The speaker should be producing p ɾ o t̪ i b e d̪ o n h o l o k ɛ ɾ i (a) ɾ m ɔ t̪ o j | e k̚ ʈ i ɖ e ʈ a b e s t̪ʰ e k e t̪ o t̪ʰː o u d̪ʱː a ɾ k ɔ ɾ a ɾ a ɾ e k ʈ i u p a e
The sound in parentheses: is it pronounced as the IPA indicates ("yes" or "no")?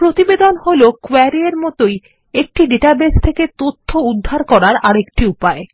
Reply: no